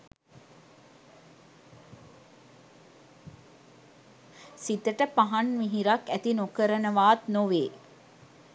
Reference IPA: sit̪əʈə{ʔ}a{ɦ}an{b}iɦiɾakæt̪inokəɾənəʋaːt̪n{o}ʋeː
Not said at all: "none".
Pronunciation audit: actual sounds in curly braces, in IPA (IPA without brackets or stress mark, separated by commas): p, ɦ, m, o